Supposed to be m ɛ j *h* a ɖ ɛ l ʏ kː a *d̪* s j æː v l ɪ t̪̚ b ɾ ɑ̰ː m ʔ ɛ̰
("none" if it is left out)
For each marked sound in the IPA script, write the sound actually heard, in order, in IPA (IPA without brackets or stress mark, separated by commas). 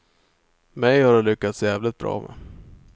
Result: h, t̪